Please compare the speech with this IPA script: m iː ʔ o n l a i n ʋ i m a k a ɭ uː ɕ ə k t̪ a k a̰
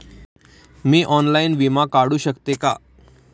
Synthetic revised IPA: m iː ʔ ɔ n l a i n ʋ i m a k a ɽ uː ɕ ə k t̪ e k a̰